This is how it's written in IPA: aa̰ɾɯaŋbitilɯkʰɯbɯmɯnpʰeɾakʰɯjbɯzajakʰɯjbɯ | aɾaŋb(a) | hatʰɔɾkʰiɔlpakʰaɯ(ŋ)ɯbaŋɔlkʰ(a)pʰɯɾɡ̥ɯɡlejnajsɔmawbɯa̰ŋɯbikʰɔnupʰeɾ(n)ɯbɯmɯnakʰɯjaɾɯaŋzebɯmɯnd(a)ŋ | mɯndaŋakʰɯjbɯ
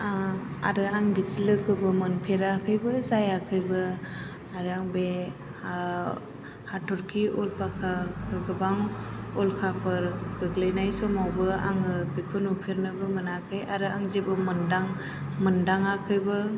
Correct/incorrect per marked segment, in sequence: incorrect, incorrect, correct, correct, correct

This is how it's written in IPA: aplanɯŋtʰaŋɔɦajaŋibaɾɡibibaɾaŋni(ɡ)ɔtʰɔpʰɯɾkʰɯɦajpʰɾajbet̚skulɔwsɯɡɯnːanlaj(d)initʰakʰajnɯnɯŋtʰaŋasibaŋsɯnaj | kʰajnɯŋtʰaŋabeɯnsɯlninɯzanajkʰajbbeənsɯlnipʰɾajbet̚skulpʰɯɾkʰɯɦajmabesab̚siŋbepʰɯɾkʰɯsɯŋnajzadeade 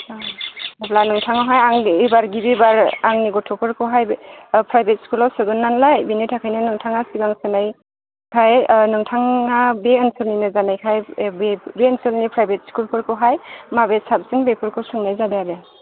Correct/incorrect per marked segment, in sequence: correct, incorrect

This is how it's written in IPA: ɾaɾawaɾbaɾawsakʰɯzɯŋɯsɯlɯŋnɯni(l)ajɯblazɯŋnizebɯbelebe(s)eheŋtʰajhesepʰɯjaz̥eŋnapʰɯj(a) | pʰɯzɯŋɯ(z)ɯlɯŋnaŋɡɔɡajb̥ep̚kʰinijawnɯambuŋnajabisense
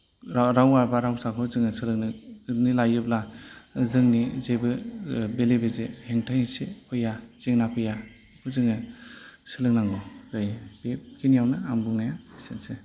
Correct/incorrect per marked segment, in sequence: correct, incorrect, correct, incorrect

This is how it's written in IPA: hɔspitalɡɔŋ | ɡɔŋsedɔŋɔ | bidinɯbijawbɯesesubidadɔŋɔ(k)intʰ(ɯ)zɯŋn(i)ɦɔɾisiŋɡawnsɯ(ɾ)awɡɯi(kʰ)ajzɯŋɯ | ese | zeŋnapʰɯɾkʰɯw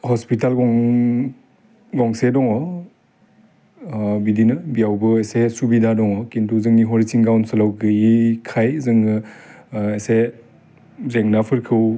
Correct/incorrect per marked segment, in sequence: correct, incorrect, correct, incorrect, correct

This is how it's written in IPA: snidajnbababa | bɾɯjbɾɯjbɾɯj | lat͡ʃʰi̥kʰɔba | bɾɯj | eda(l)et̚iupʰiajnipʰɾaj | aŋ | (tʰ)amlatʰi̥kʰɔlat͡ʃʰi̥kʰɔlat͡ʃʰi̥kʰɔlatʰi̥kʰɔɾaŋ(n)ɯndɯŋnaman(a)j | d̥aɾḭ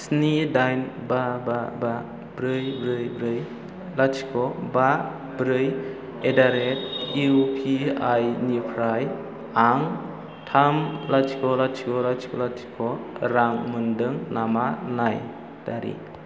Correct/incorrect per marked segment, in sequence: incorrect, correct, incorrect, correct

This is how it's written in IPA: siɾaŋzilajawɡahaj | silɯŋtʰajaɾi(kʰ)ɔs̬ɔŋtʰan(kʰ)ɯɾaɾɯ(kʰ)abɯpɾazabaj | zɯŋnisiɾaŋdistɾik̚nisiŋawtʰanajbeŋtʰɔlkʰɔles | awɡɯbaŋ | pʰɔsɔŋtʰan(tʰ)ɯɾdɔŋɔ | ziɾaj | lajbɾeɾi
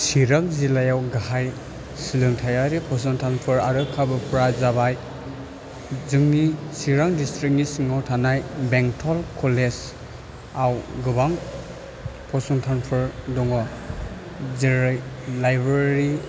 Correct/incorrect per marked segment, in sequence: incorrect, incorrect, correct, incorrect

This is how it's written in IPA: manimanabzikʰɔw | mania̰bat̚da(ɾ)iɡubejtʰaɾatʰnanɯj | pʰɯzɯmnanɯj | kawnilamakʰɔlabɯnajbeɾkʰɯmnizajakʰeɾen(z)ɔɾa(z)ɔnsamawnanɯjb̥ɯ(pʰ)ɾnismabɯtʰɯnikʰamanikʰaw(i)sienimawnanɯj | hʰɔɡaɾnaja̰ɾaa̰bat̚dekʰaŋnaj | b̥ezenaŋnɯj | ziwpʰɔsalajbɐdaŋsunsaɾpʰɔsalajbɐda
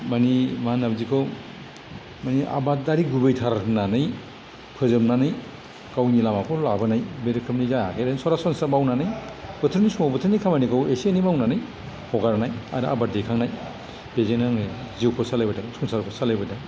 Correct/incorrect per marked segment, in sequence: correct, incorrect, incorrect, incorrect, incorrect

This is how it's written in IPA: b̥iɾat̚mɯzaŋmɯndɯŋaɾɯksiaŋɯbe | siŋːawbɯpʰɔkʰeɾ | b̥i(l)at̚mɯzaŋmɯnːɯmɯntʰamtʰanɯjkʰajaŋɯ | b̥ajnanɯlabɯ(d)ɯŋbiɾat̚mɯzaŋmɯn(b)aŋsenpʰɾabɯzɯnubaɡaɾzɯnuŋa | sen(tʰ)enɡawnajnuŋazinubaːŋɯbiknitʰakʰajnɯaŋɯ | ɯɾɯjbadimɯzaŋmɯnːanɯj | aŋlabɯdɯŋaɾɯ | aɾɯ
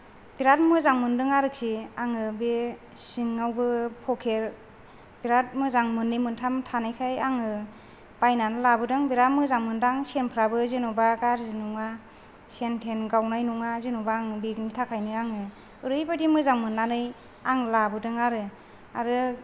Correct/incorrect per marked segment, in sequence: incorrect, correct, incorrect, correct

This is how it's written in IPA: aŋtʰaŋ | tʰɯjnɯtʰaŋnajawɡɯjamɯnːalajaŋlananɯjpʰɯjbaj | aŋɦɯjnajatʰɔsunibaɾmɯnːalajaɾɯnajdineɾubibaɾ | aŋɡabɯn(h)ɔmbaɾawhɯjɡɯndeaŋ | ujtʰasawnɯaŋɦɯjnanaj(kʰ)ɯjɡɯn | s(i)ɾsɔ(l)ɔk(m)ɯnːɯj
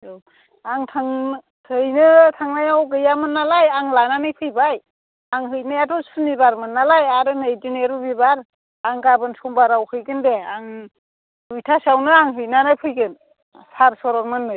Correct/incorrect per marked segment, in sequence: incorrect, incorrect, incorrect, incorrect, correct

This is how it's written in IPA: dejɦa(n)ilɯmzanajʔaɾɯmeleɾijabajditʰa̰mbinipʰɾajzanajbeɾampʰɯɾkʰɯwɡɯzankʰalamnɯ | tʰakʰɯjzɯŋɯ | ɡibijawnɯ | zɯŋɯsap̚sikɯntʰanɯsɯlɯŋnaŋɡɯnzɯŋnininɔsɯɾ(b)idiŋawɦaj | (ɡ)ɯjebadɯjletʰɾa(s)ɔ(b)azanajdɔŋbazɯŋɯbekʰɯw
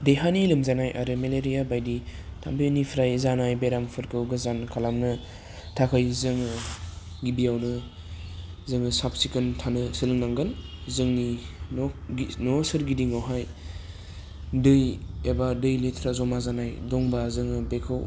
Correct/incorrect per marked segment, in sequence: correct, incorrect, incorrect, incorrect, incorrect

